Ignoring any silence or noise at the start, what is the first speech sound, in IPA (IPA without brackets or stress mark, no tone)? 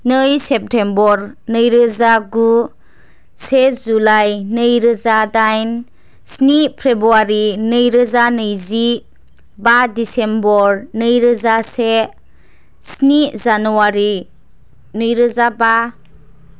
n